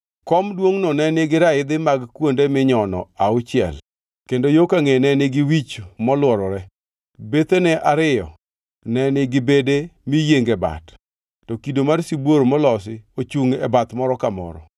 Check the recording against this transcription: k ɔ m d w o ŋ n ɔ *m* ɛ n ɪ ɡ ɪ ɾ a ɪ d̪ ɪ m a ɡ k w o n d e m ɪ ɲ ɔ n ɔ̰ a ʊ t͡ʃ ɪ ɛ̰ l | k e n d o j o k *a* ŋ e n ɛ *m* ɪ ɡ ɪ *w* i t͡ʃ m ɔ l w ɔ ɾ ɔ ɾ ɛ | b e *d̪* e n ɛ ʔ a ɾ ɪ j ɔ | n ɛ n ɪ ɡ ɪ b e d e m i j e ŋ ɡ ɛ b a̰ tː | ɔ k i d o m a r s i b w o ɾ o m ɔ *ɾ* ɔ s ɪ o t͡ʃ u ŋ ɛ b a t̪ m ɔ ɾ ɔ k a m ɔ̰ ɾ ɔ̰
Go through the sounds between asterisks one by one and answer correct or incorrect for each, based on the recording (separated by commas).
incorrect, correct, incorrect, correct, incorrect, incorrect